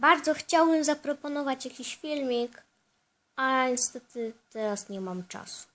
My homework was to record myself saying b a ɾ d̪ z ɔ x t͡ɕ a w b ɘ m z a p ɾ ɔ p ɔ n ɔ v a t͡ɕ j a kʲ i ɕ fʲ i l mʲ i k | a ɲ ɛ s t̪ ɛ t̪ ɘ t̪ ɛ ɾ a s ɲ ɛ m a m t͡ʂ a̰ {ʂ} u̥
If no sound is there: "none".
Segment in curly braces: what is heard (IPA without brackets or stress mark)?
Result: s